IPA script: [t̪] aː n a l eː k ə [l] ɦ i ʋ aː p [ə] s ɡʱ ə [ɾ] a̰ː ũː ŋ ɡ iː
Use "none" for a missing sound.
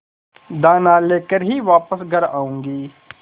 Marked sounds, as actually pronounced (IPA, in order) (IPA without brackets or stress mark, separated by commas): d̪, ɾ, ə, ɾ